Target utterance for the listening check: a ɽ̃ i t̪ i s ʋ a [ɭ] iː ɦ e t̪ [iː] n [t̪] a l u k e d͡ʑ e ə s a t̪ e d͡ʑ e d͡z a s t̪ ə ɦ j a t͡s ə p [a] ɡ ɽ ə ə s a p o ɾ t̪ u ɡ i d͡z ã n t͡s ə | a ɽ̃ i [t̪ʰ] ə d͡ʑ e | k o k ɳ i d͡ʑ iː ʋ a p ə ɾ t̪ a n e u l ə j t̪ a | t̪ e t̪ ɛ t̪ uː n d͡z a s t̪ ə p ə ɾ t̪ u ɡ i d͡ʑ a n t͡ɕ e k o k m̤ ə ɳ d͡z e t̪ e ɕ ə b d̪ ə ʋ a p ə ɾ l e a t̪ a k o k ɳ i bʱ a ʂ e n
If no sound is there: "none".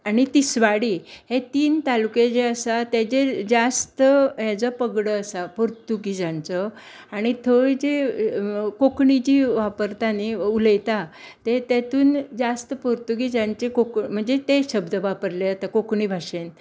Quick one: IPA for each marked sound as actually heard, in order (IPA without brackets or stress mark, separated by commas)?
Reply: ɽ, iː, t̪, ə, t̪ʰ